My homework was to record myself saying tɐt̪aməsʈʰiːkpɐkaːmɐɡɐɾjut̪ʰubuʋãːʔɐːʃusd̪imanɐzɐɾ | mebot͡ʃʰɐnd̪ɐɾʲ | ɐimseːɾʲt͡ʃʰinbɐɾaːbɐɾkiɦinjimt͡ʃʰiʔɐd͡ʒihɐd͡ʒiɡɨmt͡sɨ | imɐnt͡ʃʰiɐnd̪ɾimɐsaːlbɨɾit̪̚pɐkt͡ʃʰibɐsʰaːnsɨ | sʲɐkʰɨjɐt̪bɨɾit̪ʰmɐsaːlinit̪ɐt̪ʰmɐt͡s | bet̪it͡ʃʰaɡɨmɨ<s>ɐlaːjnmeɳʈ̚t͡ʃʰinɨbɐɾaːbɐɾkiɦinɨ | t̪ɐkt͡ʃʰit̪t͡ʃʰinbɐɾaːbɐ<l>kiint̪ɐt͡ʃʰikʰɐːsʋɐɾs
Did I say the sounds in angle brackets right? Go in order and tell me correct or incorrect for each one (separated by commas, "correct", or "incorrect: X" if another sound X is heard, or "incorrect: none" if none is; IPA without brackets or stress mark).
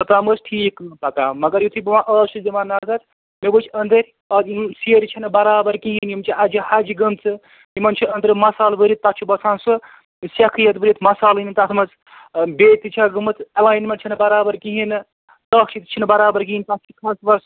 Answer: incorrect: t͡s, incorrect: ɾ